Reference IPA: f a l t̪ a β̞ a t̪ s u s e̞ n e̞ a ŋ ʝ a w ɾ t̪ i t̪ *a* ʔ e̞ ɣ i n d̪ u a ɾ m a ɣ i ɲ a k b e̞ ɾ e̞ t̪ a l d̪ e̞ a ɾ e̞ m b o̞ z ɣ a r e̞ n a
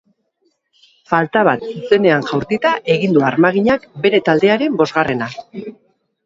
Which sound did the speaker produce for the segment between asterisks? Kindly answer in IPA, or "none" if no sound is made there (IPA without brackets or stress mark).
a